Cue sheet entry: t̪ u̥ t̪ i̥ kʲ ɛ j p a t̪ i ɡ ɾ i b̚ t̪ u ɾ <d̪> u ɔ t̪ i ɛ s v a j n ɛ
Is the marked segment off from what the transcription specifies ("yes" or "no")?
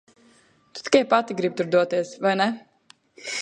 no